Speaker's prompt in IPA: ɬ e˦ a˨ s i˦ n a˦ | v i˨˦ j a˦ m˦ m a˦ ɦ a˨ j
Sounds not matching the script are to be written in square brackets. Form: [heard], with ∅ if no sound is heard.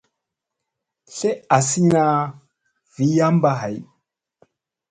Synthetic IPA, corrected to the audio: ɬ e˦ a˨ s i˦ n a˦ | v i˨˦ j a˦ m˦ [b] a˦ ɦ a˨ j

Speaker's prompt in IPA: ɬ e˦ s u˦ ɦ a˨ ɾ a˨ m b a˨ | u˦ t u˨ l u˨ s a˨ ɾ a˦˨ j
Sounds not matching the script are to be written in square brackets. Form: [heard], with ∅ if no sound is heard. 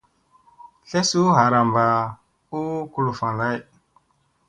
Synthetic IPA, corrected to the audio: ɬ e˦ s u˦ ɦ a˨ ɾ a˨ m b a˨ | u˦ [k] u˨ l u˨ [f] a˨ [l] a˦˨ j

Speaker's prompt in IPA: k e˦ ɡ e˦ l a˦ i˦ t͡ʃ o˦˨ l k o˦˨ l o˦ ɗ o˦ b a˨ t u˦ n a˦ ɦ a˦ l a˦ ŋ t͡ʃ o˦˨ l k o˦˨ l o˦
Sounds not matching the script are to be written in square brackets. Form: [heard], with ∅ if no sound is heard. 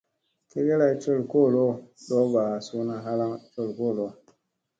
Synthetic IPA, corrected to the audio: k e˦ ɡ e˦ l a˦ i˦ t͡ʃ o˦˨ l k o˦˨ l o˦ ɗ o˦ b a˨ [s] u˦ n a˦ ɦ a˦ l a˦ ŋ t͡ʃ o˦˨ l k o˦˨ l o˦

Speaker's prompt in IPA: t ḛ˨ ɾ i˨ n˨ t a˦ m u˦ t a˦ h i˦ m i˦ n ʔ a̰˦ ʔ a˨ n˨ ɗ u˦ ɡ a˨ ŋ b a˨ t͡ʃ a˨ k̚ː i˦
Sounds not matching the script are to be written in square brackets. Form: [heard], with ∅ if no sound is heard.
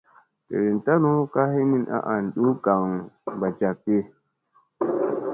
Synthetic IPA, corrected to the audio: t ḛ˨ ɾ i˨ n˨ t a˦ [n] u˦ [k] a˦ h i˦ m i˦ n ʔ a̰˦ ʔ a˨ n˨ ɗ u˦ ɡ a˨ ŋ b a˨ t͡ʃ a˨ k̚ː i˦

